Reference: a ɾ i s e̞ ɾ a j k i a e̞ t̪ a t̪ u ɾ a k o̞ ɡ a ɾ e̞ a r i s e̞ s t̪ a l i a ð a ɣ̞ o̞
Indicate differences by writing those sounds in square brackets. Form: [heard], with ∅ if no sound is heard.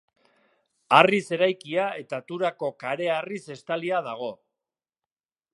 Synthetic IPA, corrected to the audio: a [r] i s e̞ ɾ a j k i a e̞ t̪ a t̪ u ɾ a k o̞ [k] a ɾ e̞ a r i s e̞ s t̪ a l i a ð a ɣ̞ o̞